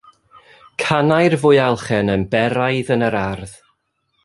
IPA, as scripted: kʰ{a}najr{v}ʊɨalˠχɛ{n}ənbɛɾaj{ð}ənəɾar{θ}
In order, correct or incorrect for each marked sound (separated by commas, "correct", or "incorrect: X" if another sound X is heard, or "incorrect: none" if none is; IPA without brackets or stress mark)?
correct, correct, correct, correct, incorrect: ð